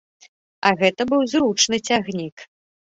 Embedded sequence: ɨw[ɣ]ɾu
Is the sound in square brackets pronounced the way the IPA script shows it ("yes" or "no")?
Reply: no